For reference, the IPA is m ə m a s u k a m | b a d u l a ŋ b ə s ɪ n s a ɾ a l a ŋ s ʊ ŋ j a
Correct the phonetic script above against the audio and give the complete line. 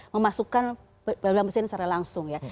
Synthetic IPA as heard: m ə m a s u k a n | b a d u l a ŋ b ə s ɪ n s a ɾ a l a ŋ s ʊ ŋ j a